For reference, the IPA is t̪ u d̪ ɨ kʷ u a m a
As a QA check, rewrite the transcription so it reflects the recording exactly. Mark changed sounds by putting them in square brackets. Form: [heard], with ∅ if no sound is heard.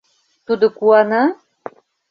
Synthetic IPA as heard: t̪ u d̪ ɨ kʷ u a [n] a